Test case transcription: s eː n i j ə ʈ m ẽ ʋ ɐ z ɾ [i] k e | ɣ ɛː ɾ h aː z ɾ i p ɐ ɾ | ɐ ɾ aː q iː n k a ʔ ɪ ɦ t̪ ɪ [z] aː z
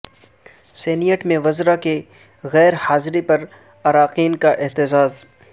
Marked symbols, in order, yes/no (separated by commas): no, yes